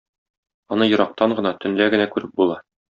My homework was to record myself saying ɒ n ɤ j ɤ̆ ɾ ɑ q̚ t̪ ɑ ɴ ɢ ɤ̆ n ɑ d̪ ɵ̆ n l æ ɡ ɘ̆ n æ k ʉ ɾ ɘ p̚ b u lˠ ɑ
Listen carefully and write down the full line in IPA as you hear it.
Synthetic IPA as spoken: ɒ n ɤ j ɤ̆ ɾ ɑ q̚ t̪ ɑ ɴ ɢ ɤ̆ n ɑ t̪ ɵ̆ n l æ ɡ ɘ̆ n æ k ʉ ɾ ɘ p̚ b u lˠ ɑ